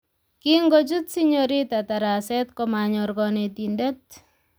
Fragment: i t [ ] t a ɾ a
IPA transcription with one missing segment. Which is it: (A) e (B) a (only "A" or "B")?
B